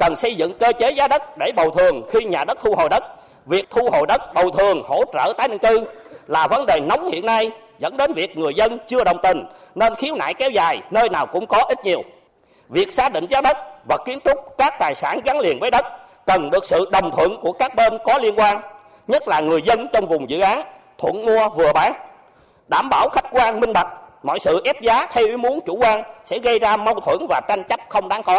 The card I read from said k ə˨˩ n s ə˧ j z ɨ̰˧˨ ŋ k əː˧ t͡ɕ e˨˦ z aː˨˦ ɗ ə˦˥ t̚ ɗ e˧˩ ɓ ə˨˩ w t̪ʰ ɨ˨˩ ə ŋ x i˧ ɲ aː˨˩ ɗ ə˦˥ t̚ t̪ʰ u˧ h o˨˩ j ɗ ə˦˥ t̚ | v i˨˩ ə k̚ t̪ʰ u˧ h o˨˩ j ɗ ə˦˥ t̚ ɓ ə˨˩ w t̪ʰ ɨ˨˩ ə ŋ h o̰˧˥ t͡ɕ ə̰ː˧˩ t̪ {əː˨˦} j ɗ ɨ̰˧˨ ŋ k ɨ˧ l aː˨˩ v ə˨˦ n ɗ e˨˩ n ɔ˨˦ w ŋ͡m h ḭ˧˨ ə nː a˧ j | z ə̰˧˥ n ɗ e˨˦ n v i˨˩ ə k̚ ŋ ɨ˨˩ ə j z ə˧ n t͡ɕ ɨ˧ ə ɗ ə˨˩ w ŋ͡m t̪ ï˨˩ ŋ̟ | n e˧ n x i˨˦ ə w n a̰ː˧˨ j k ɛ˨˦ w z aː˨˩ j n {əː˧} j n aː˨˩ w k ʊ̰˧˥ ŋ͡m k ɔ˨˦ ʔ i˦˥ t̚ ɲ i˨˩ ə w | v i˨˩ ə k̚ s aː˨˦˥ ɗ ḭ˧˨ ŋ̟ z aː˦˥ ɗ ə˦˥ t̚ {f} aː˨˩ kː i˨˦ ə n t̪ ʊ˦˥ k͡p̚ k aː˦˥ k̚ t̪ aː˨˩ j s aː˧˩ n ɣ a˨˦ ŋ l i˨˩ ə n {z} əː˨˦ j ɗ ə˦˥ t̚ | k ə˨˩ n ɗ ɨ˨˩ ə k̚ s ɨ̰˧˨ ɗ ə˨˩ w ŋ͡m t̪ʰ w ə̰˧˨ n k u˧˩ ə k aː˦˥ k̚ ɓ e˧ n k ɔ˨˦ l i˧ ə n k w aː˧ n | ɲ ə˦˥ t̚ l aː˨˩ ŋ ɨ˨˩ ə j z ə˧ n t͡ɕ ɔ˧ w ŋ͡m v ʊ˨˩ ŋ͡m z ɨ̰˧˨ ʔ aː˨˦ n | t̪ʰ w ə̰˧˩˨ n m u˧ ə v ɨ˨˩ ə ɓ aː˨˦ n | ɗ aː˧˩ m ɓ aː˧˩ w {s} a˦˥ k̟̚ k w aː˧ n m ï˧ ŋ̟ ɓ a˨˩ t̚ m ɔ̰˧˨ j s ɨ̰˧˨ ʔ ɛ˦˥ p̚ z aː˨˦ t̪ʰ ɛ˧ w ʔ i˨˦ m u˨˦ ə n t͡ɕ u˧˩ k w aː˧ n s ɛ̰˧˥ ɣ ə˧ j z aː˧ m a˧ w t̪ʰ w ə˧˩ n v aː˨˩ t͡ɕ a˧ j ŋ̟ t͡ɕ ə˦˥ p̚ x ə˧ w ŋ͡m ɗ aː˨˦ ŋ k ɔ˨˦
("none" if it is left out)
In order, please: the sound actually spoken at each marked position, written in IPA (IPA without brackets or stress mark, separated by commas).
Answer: aː˨˦, əː˧, v, v, x